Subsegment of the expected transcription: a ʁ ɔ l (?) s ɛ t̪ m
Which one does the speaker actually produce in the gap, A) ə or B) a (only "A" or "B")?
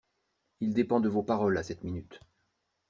B